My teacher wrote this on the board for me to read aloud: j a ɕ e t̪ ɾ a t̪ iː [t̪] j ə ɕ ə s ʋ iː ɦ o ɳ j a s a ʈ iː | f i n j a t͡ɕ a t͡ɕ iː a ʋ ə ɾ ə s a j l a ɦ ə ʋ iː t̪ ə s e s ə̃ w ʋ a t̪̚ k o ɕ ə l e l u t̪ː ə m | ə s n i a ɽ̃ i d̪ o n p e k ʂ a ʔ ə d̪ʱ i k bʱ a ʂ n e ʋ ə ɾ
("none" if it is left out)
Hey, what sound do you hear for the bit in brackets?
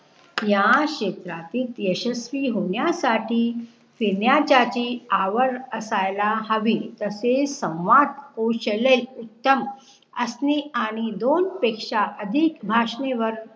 t̪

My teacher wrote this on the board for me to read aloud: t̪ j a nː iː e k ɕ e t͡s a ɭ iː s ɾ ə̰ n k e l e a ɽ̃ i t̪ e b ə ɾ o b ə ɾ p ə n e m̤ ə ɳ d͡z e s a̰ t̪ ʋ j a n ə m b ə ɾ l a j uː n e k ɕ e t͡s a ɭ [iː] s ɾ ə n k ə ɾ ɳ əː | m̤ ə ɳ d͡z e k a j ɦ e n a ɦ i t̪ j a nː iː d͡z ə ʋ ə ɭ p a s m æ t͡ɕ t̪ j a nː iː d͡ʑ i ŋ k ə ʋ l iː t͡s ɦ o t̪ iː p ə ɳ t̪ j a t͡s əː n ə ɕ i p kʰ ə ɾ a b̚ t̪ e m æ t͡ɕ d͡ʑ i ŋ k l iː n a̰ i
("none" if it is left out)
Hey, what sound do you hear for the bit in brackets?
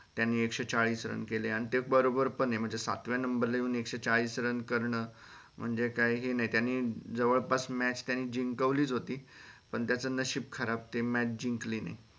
iː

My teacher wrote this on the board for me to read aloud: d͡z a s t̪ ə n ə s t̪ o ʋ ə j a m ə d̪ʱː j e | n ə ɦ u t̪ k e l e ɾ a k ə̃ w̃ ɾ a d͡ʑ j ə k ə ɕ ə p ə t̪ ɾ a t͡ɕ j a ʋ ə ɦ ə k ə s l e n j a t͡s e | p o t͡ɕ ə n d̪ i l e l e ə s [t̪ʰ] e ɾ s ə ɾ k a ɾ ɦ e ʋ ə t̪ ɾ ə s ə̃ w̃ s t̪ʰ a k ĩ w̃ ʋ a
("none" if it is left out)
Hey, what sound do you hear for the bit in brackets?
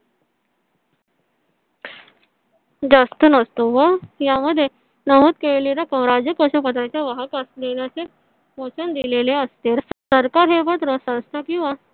t̪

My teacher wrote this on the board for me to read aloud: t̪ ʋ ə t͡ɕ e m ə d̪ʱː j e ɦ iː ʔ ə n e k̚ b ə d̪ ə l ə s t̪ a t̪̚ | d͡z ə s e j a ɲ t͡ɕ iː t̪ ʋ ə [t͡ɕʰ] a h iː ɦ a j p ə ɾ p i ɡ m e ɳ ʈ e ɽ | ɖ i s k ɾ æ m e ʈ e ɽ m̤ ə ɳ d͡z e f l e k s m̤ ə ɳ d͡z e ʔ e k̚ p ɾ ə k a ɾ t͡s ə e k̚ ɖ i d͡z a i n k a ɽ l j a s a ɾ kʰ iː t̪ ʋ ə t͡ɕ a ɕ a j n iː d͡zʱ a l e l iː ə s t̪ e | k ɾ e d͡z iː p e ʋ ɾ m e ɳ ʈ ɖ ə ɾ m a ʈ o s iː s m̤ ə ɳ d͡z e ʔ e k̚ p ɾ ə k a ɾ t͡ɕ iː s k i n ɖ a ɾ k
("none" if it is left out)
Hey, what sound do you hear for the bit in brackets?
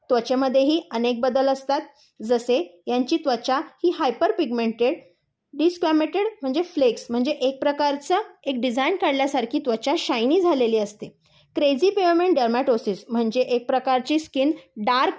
t͡ɕ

